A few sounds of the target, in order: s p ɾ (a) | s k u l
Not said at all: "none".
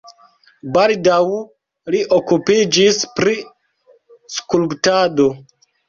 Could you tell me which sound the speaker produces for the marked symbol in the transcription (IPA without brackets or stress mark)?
i